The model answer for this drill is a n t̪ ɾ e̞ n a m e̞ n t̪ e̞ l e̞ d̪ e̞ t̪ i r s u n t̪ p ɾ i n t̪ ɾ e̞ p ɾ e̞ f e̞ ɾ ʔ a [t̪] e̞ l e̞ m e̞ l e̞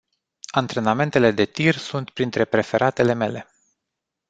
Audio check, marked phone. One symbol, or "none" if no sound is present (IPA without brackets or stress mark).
t̪